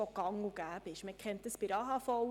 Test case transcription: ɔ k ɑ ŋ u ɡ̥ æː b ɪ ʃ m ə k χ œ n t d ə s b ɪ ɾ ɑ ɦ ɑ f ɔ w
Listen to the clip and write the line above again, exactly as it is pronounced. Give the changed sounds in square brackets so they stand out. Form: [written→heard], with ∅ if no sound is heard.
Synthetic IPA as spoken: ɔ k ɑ ŋ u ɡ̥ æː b ɪ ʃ m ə k χ [œ→ɛ] n t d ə s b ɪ ɾ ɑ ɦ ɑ f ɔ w